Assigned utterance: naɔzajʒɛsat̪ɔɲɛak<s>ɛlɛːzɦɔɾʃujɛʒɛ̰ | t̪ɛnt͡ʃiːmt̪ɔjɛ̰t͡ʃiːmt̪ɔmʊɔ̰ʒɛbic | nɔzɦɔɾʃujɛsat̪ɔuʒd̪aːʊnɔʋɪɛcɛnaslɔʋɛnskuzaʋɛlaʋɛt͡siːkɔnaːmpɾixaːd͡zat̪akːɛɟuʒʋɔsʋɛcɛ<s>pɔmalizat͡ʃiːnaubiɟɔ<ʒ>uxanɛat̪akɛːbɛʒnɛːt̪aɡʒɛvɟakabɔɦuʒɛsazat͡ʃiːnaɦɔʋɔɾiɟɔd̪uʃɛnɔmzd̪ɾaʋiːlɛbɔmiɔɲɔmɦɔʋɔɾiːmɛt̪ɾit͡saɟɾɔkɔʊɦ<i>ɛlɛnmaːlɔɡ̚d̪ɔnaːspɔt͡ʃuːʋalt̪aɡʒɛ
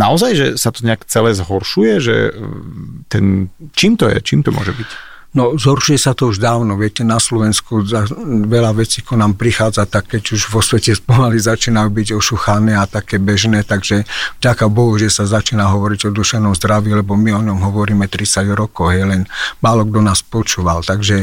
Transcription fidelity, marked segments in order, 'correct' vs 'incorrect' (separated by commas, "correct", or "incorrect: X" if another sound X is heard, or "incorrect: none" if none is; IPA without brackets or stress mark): incorrect: t͡s, correct, incorrect: ʃ, incorrect: j